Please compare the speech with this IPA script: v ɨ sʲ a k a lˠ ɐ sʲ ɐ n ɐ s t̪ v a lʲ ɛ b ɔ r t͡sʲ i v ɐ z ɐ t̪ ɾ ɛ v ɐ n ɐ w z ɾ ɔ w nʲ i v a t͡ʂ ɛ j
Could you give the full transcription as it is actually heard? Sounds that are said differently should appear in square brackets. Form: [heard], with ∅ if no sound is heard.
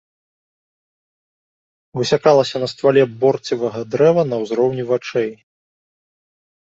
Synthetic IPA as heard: v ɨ sʲ a k a lˠ ɐ sʲ ɐ n ɐ s t̪ v a lʲ ɛ b ɔ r t͡sʲ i v ɐ [ɣ] ɐ [d̪] ɾ ɛ v ɐ n ɐ w z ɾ ɔ w nʲ i v a t͡ʂ ɛ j